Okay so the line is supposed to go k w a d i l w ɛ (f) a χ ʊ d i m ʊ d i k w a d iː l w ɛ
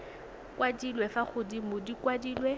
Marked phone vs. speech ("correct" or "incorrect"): correct